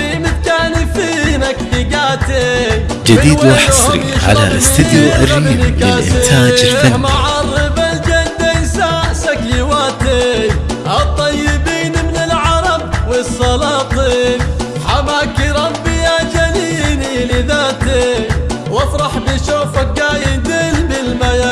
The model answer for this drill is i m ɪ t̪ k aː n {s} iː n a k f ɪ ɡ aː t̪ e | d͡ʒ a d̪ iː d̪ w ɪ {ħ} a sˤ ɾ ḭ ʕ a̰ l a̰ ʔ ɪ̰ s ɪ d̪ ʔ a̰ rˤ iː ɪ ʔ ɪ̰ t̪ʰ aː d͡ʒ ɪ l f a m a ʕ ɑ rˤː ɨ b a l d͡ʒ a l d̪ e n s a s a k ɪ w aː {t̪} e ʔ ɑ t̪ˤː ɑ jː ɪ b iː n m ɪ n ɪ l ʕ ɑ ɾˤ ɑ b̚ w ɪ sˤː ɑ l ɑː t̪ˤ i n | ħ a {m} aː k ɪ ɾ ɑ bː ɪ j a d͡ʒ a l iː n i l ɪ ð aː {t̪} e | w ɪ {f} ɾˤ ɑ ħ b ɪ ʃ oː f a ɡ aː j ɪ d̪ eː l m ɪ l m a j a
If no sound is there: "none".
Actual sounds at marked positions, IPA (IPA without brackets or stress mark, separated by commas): f, ħ, t̪, m, t̪, f